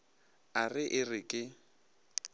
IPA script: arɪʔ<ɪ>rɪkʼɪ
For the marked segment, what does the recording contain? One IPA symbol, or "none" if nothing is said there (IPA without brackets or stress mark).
ɪ